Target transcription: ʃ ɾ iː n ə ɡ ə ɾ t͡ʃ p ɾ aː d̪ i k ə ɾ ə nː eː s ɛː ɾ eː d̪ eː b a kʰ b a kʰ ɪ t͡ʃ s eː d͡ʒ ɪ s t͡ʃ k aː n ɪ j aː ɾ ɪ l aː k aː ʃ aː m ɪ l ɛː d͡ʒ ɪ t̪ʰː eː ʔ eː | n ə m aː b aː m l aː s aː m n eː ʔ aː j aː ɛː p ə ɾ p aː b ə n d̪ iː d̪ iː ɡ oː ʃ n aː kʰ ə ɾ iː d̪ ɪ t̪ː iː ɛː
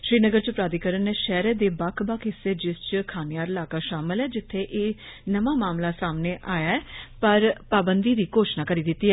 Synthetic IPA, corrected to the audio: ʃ ɾ iː n ə ɡ ə ɾ t͡ʃ p ɾ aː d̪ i k ə ɾ ə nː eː ʃ ɛː ɾ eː d̪ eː b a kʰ b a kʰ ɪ s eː d͡ʒ ɪ s t͡ʃ kʰ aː n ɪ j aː ɾ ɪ l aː k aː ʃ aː m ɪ l ɛː d͡ʒ ɪ t̪ʰː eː ʔ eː | n ə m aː m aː m l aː s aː m n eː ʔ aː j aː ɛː p ə ɾ p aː b ə n d̪ iː d̪ iː k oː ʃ n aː k ə ɾ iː d̪ ɪ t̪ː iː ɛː

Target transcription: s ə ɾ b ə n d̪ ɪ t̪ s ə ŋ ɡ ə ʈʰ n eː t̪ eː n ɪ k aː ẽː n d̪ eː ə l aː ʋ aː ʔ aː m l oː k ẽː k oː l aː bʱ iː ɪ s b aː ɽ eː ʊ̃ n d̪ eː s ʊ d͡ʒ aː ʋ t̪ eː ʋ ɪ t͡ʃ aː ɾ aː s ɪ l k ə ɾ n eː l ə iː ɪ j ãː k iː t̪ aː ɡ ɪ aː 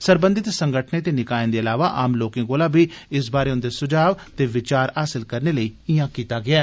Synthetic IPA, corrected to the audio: s ə ɾ b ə n d̪ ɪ t̪ s ə ŋ ɡ ə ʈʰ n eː t̪ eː n ɪ k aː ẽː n d̪ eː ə l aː ʋ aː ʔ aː m l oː k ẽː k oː l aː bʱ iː ɪ s b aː ɾ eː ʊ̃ n d̪ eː s ʊ d͡ʒ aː ʋ t̪ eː ʋ ɪ t͡ʃ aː ɾ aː s ɪ l k ə ɾ n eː l ə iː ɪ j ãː k iː t̪ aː ɡ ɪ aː

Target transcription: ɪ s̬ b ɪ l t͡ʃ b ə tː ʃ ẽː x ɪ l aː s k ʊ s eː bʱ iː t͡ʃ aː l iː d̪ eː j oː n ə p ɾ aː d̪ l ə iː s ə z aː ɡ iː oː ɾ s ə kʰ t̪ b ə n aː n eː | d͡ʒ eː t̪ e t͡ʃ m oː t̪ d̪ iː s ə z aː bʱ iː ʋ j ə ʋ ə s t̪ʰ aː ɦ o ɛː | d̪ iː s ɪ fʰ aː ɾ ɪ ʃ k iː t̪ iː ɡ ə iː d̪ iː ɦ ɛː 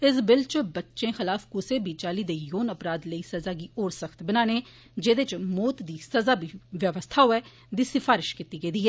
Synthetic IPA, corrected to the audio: ɪ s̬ b ɪ l t͡ʃ b ə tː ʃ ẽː x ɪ l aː f k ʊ s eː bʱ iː t͡ʃ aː l iː d̪ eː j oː n ə p ɾ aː d̪ l ə iː s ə z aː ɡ iː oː ɾ s ə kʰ t̪ b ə n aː n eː | d͡ʒ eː d̪ e t͡ʃ m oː t̪ d̪ iː s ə z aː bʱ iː ʋ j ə ʋ ə s t̪ʰ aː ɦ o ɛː | d̪ iː s ɪ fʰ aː ɾ ɪ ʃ k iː t̪ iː ɡ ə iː d̪ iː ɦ ɛː

